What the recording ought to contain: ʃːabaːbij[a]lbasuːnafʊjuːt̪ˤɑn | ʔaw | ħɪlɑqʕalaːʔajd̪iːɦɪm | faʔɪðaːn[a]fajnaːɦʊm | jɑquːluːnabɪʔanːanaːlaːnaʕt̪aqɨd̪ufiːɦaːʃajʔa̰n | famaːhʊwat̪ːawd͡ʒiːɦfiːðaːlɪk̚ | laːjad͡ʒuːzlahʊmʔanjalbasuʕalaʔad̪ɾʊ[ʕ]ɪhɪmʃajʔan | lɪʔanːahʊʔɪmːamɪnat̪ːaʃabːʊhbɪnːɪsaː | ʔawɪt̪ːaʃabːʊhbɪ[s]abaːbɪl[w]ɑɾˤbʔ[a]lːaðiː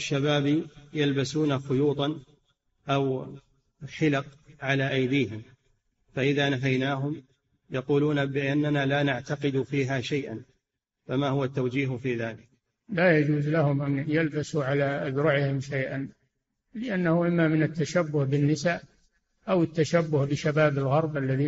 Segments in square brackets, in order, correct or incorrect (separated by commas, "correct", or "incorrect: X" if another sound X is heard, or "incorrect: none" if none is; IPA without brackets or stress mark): correct, correct, correct, incorrect: ʃ, incorrect: ɣ, correct